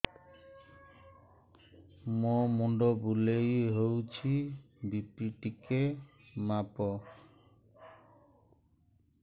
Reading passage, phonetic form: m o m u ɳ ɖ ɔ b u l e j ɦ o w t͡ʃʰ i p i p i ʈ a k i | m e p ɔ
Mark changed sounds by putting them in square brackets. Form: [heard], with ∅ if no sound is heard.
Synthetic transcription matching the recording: m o m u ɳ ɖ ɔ b u l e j ɦ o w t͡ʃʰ i [b] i p i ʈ [i] k [e] | m [a] p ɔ